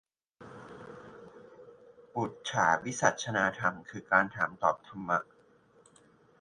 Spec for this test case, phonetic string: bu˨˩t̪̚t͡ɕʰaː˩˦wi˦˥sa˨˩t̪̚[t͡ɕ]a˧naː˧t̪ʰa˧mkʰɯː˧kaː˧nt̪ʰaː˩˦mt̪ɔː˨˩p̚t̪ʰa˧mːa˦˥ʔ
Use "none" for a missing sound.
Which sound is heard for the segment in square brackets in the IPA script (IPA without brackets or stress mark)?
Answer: t͡ɕʰ